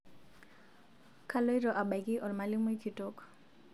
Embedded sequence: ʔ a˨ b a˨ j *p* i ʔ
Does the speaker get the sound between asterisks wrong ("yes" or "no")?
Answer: yes